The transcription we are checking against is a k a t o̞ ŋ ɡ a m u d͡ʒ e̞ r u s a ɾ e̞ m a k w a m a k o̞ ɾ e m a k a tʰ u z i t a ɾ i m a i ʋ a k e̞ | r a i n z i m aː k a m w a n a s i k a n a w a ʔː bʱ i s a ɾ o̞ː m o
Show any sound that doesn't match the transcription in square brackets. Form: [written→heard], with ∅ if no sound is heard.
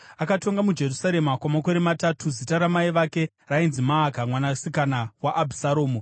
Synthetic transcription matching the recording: a k a t o̞ ŋ ɡ a m u d͡ʒ e̞ r u s a ɾ e̞ m a k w a m a k o̞ ɾ e m a [k→t] a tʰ u z i t a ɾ [i→a] m a i ʋ a k e̞ | r a i n z i m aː k a m w a n a s i k a n a w a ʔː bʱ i s a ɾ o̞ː m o